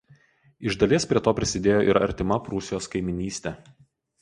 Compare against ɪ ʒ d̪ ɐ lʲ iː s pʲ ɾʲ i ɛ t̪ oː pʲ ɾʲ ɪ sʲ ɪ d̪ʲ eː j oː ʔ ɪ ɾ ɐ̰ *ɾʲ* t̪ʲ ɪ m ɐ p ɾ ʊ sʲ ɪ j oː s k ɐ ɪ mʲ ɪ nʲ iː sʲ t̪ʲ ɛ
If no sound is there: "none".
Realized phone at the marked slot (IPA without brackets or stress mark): ɾʲ